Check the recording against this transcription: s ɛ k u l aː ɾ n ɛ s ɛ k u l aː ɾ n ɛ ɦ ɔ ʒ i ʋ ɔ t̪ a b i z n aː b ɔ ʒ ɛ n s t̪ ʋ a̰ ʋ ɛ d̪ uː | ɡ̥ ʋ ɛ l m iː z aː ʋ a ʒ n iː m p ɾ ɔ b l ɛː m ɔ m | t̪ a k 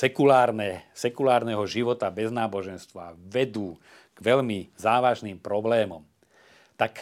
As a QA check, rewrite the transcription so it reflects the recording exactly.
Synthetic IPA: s ɛ k u l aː ɾ n ɛ s ɛ k u l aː ɾ n ɛ ɦ ɔ ʒ i ʋ ɔ t̪ a b ɛ z n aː b ɔ ʒ ɛ n s t̪ ʋ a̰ ʋ ɛ d̪ uː | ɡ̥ ʋ ɛ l m i z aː ʋ a ʒ n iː m p ɾ ɔ b l ɛː m ɔ m | t̪ a k